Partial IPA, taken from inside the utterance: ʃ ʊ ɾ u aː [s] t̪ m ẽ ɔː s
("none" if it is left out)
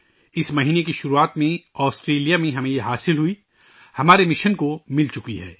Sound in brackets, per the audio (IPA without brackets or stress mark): none